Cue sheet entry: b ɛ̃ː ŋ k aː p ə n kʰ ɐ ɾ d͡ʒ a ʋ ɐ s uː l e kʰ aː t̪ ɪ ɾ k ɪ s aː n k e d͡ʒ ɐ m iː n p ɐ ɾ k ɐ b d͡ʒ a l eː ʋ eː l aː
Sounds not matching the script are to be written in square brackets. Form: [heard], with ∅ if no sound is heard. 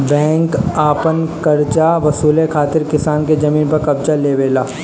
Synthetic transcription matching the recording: b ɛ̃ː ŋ k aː p ə n [k] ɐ ɾ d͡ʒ a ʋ ɐ s uː l e kʰ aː t̪ ɪ ɾ k ɪ s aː n k e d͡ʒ ɐ m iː n p ɐ ɾ k ɐ b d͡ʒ a l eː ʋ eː l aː

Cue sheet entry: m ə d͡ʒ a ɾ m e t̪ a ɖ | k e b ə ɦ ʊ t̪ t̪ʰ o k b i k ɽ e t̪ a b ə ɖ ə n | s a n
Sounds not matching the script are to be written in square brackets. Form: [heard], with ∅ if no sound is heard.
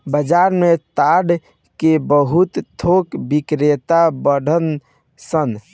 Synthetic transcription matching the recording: [b] ə d͡ʒ a ɾ m e t̪ a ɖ | k e b ə ɦ [u] t̪ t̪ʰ o k b i k [ɾ] e t̪ a b ə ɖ ə n | s [ə] n

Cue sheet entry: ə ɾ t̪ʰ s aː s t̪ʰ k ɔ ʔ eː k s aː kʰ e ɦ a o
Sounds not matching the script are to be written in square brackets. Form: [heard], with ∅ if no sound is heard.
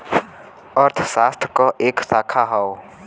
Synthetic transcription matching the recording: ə ɾ t̪ʰ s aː s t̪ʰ k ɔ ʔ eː k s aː kʰ [a] ɦ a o

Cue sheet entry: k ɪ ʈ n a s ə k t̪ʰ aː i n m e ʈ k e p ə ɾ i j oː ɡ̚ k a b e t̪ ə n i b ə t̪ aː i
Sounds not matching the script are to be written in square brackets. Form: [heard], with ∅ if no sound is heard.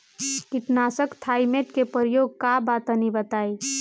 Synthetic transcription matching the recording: k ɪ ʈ n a s ə k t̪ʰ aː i [∅] m e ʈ k e p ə ɾ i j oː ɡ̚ k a b [a] t̪ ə n i b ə t̪ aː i

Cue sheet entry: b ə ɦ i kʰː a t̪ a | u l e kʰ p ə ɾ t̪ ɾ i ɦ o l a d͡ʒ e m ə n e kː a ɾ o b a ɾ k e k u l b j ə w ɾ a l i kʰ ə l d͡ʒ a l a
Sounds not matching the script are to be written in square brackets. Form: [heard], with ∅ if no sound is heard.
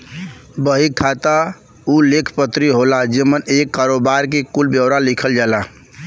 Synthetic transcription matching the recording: b ə ɦ i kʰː a t̪ a | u l e kʰ p ə [∅] t̪ ɾ i ɦ o l a d͡ʒ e m ə n e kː a ɾ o b a ɾ k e k u l b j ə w ɾ a l i kʰ ə l d͡ʒ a l a

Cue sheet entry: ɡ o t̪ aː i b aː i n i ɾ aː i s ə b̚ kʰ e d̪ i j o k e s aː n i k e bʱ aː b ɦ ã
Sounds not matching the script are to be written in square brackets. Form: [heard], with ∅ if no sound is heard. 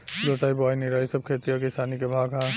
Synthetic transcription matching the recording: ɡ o t̪ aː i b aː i n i ɾ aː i s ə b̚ kʰ e [t̪] i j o k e s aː n i k e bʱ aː [ɡ] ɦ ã

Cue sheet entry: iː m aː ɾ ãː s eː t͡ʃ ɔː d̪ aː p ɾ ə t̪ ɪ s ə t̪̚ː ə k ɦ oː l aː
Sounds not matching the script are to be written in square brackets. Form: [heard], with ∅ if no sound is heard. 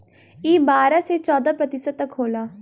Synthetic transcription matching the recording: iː [b] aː ɾ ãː s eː t͡ʃ ɔː d̪ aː p ɾ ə t̪ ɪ s ə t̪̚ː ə k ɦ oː l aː

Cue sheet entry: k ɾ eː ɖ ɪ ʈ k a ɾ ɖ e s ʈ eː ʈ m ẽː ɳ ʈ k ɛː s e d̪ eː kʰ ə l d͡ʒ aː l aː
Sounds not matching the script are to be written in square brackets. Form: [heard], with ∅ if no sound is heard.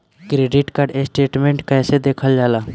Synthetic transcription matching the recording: k ɾ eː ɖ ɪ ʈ k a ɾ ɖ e s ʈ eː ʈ m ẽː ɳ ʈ k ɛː s e d̪ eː kʰ ə l d͡ʒ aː l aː

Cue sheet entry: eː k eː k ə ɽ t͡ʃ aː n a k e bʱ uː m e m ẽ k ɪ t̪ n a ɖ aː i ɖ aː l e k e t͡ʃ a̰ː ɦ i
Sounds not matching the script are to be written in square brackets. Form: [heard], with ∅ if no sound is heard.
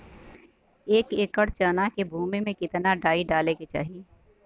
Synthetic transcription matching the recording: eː k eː k ə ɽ t͡ʃ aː n a k e bʱ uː m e m ẽ k ɪ t̪ n a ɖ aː i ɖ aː l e k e t͡ʃ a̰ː ɦ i

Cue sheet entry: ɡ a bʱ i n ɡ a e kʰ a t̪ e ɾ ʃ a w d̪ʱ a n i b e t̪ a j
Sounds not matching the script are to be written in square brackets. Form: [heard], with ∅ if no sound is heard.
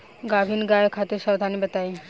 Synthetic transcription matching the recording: ɡ a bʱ i n ɡ a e kʰ a t̪ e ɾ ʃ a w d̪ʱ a n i b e t̪ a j

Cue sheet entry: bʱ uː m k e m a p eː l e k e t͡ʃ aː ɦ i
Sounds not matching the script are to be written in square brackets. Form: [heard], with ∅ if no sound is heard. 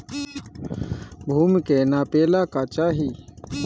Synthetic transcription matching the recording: bʱ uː m k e [n] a p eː l [a] k [a] t͡ʃ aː ɦ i

